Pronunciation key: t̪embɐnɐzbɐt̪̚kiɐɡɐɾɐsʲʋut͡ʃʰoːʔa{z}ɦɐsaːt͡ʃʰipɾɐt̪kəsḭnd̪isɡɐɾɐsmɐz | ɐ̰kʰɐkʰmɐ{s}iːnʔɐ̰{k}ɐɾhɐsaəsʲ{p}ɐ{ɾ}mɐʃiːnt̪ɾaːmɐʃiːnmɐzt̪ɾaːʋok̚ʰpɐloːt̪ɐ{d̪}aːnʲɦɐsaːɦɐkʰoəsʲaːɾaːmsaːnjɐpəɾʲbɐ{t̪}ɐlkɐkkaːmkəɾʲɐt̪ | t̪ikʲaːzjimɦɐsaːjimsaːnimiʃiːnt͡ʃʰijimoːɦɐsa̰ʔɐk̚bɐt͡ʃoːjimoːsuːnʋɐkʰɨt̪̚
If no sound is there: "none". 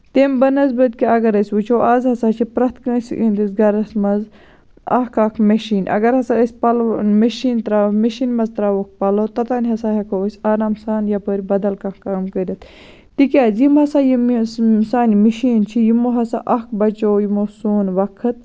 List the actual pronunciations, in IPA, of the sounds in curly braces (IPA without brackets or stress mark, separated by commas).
z, ʃ, ɡ, p, l, t̪, d̪